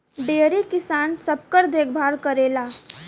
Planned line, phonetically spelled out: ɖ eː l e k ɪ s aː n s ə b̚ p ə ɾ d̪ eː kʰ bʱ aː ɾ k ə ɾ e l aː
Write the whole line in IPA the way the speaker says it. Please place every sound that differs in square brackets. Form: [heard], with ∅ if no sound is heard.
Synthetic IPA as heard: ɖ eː [ɾ] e k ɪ s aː n s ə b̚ [k] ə ɾ d̪ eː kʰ bʱ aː ɾ k ə ɾ e l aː